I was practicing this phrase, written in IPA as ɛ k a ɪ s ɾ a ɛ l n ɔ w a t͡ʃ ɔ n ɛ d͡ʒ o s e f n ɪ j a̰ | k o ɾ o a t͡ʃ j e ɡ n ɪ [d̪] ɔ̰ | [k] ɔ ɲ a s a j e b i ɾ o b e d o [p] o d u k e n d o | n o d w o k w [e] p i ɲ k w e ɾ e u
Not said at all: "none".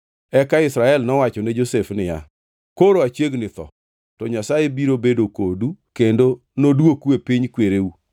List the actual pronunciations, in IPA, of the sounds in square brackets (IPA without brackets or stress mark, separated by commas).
t̪, t, k, e